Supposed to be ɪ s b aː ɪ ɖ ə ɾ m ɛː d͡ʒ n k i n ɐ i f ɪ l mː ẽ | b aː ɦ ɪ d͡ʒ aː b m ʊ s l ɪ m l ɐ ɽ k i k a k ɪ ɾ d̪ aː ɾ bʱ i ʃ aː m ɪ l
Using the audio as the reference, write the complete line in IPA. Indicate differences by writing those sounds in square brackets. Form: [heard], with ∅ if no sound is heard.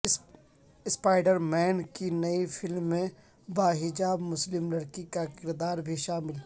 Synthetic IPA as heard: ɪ s [p] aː ɪ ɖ ə ɾ m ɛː [∅] n k i n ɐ i f ɪ l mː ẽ | b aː ɦ ɪ d͡ʒ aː b m ʊ s l ɪ m l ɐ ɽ k i k a k ɪ ɾ d̪ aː ɾ bʱ i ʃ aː m ɪ l